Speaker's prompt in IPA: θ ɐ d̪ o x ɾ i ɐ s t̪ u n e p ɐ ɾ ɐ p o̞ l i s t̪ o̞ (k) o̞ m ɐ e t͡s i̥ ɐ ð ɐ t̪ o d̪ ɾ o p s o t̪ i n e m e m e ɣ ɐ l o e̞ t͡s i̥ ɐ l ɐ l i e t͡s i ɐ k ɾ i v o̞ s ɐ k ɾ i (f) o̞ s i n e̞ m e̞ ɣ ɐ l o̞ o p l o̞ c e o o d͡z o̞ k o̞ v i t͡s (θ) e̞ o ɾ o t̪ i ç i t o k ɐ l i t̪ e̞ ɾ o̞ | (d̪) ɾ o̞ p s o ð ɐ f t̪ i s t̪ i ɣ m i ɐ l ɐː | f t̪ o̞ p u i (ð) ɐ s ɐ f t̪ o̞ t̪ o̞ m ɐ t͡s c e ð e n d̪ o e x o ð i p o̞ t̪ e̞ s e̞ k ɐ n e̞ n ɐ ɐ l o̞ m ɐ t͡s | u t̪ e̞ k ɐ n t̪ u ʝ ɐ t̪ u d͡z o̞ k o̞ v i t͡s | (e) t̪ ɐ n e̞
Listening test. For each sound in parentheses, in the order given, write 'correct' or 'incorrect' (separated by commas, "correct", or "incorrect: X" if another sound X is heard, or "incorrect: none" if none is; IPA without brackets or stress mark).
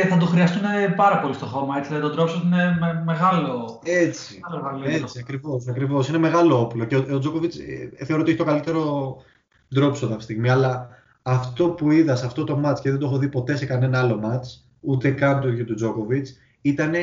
incorrect: x, incorrect: v, correct, correct, correct, incorrect: i